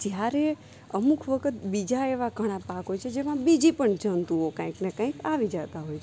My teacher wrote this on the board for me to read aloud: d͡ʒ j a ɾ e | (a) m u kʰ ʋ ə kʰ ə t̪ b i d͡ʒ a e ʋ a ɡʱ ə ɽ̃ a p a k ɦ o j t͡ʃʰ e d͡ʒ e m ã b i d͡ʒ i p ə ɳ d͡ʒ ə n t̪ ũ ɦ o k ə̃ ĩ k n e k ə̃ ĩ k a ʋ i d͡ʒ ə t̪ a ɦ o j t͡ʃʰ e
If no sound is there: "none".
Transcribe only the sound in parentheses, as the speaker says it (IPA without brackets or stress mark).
ə